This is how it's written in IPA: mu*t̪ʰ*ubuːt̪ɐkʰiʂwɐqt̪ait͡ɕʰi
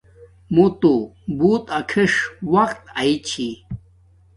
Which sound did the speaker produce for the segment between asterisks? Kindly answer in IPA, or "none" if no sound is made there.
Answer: t̪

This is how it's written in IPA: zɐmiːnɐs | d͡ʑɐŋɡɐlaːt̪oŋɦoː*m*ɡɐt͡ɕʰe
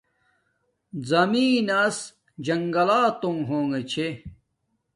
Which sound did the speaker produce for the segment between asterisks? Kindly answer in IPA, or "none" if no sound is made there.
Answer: ŋ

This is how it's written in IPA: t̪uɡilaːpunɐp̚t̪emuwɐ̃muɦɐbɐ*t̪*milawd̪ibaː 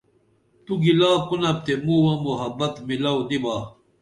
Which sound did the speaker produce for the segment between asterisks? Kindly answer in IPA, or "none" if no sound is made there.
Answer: t̪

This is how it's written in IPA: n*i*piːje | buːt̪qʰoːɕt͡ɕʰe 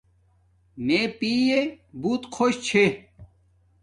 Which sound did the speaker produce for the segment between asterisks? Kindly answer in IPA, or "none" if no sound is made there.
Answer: e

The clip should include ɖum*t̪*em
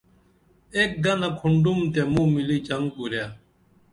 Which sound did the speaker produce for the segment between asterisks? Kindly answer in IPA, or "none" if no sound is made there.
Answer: t̪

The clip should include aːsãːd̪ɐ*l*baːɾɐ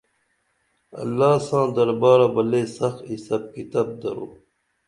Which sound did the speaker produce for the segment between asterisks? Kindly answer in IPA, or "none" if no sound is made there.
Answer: ɾ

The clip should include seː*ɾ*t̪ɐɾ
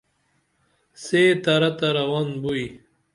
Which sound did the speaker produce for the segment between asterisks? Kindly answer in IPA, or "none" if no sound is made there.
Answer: none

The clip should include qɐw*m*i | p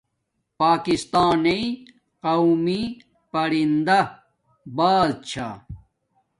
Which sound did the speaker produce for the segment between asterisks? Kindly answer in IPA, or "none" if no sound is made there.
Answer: m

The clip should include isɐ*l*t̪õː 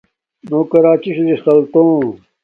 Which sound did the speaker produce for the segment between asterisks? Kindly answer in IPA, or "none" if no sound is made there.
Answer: l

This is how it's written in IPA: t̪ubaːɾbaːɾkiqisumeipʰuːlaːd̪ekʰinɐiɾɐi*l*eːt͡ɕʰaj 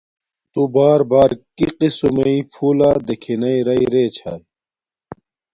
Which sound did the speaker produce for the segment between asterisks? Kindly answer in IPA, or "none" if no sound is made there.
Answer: ɾ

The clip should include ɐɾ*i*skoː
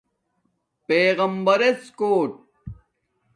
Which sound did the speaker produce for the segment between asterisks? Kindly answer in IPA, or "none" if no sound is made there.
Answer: e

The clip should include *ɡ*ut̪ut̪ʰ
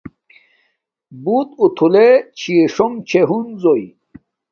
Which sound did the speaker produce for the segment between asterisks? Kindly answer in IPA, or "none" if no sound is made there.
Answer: b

